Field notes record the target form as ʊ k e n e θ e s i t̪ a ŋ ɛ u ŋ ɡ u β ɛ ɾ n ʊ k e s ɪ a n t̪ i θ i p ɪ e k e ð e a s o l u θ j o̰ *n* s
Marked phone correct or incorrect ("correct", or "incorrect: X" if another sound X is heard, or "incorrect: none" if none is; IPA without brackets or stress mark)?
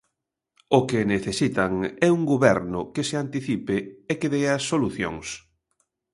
incorrect: ŋ